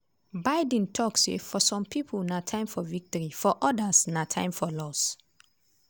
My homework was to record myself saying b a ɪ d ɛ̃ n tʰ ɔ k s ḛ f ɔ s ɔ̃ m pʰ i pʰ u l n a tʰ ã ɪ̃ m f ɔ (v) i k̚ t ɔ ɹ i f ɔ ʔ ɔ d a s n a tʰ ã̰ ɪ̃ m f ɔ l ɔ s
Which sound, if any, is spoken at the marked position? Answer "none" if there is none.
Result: v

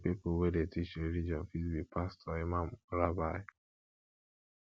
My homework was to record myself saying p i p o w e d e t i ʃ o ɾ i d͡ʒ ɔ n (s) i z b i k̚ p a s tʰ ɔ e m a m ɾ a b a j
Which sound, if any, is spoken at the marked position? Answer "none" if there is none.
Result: f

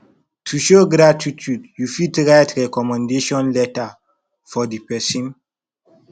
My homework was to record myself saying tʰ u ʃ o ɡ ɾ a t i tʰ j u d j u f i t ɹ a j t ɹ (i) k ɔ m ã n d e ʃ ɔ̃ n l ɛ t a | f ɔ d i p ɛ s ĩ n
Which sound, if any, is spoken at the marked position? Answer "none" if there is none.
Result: ɛ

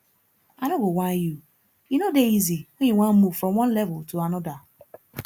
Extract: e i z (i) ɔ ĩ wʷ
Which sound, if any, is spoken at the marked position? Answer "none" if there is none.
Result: i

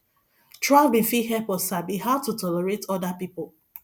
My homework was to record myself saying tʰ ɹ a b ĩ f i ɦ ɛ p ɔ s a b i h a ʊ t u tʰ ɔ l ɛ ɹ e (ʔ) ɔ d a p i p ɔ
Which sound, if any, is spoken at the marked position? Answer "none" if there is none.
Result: t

